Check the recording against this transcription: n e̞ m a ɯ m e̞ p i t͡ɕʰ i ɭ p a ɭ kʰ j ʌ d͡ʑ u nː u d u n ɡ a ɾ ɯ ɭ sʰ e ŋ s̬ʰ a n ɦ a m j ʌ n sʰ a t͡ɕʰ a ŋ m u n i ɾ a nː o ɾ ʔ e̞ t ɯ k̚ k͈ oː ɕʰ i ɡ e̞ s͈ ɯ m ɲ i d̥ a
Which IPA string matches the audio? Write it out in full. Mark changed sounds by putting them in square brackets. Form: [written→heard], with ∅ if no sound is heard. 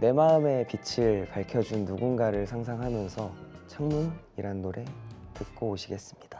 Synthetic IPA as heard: n e̞ m a ɯ m e̞ p i t͡ɕʰ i ɭ p a ɭ kʰ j ʌ d͡ʑ u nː u [d→ɡ] u n ɡ a ɾ ɯ ɭ sʰ [e→a] ŋ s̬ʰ a [n→ŋ] ɦ a m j ʌ n sʰ [a→ʌ] t͡ɕʰ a ŋ m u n i ɾ a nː o ɾ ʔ e̞ t ɯ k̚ k͈ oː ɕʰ i ɡ e̞ s͈ ɯ m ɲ i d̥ a